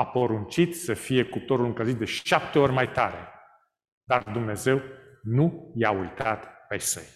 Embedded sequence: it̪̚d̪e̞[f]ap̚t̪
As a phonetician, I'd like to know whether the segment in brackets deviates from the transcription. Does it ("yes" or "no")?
yes